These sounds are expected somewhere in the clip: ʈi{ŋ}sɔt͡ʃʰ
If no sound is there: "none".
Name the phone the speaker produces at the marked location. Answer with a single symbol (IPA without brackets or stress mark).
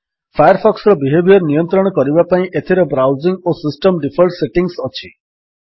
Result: ŋ